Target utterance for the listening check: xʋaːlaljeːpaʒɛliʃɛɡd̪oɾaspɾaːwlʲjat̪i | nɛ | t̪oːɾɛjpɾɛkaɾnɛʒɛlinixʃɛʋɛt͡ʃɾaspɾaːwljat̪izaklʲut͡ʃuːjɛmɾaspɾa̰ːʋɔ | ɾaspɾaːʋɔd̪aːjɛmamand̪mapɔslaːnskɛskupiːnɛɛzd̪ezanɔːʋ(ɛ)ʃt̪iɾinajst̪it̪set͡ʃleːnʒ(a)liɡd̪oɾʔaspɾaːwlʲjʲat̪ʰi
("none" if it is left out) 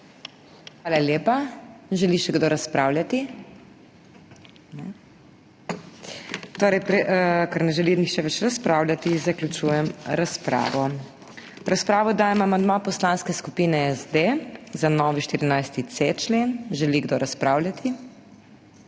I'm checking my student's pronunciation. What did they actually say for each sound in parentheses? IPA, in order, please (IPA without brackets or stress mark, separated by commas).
i, ɛ